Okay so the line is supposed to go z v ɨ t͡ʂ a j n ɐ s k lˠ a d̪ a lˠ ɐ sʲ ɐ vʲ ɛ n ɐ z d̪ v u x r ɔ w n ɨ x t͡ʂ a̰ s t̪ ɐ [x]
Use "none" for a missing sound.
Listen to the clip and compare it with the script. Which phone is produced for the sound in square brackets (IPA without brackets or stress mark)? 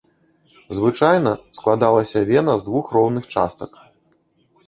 k